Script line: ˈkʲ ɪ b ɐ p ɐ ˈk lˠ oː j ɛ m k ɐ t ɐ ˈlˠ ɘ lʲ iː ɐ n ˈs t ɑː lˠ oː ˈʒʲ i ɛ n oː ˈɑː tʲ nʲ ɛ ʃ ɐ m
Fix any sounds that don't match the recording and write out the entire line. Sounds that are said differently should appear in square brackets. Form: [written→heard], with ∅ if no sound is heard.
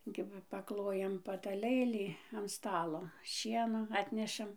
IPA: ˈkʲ ɪ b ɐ p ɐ ˈk lˠ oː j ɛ m [k→p] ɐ t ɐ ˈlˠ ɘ lʲ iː ɐ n ˈs t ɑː lˠ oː [ˈʒʲ→ˈʃʲ] i ɛ n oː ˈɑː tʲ nʲ ɛ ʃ ɐ m